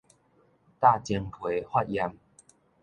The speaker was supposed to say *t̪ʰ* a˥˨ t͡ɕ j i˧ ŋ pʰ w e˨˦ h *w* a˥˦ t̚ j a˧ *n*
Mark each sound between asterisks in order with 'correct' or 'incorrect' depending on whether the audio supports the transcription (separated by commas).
incorrect, correct, incorrect